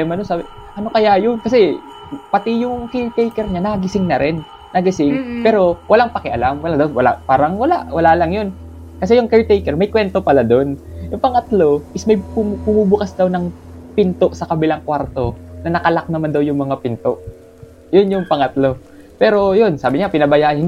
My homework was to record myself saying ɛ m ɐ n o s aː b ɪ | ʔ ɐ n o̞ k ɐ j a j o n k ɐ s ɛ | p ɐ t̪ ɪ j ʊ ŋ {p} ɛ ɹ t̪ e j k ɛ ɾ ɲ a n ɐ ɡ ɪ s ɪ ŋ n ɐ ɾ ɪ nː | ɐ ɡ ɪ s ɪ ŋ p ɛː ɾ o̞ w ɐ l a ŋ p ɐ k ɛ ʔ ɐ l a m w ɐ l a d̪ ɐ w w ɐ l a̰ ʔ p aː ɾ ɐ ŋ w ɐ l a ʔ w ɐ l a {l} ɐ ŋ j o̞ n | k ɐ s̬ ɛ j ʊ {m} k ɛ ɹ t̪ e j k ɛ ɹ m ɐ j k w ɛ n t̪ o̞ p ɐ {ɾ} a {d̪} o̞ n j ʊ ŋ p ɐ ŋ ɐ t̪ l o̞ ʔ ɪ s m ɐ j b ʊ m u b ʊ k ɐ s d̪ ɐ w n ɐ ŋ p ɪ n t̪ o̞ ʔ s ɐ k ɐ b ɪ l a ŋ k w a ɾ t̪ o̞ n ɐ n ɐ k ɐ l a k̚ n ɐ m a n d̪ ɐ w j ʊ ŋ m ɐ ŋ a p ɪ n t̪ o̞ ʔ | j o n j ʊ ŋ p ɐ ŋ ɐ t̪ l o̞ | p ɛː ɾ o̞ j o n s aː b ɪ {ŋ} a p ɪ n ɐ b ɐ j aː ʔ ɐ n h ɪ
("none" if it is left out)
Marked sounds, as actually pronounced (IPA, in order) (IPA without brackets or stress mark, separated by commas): k, l, ŋ, l, d̪, ɲ